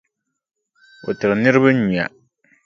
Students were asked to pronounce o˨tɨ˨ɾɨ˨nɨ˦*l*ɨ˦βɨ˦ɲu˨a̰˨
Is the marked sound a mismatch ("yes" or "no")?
yes